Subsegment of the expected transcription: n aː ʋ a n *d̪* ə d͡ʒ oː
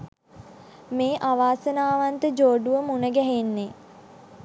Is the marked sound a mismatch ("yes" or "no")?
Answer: yes